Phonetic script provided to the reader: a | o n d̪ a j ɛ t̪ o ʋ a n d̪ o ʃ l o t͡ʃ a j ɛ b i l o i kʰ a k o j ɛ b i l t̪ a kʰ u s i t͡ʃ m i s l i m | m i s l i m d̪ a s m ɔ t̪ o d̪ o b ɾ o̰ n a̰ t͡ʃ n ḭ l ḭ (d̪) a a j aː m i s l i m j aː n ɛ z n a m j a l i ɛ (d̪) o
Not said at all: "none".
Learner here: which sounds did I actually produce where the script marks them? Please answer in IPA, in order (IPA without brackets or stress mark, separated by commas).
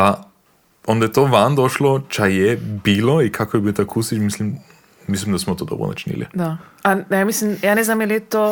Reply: d̪, t̪